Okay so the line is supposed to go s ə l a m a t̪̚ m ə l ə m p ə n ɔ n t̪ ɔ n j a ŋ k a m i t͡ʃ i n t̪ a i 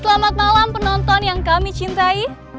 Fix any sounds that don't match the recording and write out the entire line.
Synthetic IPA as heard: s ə l a m a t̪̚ m a l a m p ə n ɔ n t̪ ɔ n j a ŋ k a m i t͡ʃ i n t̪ a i